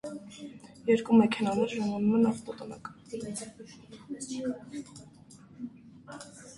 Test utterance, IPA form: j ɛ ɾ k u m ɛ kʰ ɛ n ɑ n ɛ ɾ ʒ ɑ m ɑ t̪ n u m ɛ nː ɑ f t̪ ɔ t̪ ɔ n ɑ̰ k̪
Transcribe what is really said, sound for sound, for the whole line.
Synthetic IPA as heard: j ɛ ɾ k u m ɛ kʰ ɛ n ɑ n ɛ ɾ ʒ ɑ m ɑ n u m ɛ n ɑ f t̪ ɔ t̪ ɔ n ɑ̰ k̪